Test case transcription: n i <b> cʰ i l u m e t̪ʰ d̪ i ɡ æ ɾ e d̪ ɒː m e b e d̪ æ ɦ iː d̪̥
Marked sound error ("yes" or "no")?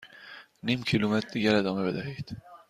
yes